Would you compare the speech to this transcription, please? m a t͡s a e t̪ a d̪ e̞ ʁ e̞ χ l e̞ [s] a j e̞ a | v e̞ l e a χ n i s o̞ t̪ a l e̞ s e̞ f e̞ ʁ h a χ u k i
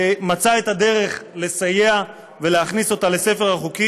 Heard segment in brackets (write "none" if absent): s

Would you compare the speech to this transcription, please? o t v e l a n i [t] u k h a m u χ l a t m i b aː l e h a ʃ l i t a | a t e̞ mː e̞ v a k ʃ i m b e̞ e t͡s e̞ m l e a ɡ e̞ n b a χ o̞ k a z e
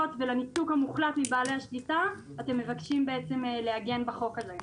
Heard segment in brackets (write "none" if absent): t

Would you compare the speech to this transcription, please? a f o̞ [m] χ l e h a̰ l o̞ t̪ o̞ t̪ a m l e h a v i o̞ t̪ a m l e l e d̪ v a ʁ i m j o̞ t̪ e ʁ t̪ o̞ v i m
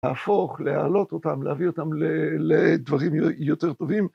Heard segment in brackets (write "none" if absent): none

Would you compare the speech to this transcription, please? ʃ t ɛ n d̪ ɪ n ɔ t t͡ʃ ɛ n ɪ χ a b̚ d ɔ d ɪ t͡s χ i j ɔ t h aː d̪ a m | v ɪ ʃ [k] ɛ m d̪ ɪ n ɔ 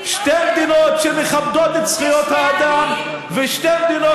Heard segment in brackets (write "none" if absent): t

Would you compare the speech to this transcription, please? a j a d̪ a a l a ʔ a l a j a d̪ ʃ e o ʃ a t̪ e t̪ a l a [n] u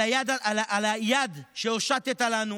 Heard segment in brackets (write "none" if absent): n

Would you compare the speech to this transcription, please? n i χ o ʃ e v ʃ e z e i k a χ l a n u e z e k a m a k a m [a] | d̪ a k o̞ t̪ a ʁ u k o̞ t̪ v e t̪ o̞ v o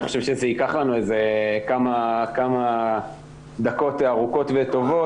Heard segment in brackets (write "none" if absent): a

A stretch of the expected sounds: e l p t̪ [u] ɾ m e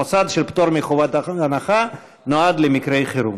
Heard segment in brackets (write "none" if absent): o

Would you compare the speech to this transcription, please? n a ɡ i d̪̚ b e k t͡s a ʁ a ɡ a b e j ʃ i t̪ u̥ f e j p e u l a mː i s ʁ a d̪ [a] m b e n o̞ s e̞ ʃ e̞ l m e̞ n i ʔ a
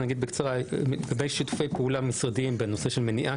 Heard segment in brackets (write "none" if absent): i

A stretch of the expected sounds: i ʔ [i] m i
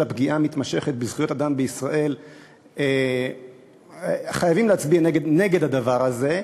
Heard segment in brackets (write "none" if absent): a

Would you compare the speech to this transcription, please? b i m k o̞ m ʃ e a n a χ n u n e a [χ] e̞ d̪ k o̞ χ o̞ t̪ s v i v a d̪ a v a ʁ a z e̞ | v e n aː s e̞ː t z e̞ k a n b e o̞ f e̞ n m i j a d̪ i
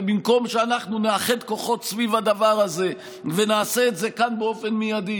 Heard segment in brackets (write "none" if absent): χ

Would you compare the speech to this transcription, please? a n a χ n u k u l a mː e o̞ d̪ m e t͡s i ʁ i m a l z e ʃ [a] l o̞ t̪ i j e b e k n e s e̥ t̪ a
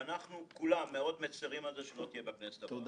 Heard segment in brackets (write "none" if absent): e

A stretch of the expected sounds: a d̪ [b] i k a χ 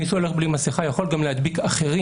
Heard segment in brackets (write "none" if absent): b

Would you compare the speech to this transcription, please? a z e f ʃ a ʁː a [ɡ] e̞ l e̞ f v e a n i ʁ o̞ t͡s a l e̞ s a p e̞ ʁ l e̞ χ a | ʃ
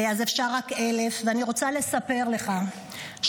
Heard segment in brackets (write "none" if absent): k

